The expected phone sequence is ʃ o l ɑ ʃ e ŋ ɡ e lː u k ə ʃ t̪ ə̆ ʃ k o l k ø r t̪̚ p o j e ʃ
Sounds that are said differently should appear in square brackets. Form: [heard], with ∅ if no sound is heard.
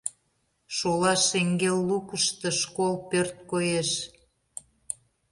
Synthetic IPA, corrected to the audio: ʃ o l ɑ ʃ e ŋ ɡ e lː u k ə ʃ t̪ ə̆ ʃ k o l [p] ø r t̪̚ [k] o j e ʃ